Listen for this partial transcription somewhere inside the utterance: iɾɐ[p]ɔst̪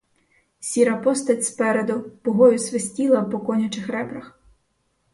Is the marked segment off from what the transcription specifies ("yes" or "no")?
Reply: no